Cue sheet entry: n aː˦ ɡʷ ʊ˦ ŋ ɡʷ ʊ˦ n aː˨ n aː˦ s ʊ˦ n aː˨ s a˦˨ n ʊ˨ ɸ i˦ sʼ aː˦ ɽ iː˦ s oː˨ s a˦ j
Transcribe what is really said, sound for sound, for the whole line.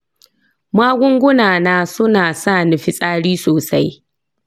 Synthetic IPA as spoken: m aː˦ ɡʷ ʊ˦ ŋ ɡʷ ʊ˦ n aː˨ n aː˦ s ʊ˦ n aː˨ s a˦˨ n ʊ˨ ɸ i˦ sʼ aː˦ ɽ iː˦ s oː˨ s a˦ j